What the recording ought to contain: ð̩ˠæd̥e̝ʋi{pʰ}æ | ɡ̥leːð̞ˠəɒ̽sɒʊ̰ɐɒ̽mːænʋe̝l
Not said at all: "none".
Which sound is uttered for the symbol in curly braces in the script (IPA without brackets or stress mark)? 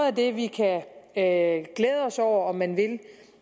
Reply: kʰ